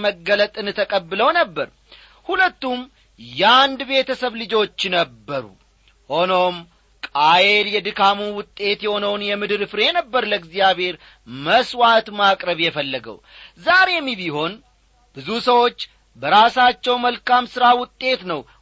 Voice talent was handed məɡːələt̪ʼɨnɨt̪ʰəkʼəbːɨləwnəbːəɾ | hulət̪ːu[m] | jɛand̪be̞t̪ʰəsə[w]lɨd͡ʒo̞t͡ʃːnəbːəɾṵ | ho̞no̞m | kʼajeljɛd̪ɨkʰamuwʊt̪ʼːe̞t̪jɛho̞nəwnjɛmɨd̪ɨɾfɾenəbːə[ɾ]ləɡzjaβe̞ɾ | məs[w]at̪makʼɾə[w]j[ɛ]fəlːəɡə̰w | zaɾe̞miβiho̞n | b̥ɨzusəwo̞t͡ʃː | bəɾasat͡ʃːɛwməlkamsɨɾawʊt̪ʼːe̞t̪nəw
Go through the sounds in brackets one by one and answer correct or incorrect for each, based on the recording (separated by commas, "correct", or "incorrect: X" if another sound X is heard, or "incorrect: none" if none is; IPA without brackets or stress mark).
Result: correct, incorrect: β, correct, correct, incorrect: β, correct